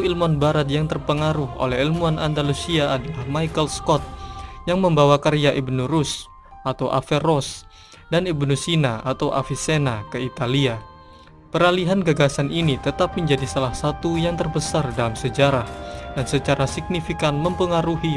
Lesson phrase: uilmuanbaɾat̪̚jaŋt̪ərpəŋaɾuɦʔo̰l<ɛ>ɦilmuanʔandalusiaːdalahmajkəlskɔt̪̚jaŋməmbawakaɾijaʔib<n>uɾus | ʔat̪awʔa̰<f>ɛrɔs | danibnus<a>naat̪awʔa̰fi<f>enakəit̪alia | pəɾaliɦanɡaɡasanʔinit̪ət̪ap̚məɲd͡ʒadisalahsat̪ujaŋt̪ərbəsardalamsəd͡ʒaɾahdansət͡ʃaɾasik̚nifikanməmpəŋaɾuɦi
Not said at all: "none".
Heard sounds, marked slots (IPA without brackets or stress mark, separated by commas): ɛ, n, f, i, s